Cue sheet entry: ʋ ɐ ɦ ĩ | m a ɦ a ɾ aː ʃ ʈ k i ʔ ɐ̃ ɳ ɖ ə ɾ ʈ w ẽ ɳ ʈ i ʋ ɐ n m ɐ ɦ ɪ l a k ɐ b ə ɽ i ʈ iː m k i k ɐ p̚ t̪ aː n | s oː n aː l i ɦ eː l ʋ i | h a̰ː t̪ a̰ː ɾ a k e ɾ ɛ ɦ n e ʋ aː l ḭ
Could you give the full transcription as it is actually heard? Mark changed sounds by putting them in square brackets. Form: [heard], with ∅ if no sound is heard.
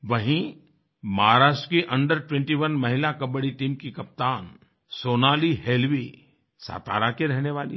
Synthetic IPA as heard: ʋ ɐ ɦ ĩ | m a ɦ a ɾ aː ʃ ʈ k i ʔ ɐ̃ ɳ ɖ ə ɾ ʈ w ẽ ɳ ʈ i ʋ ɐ n m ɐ ɦ ɪ l a k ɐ b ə ɽ i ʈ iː m k i k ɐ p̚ t̪ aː n | s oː n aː l i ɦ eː l ʋ i | [s] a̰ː t̪ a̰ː ɾ a k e ɾ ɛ ɦ n e ʋ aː l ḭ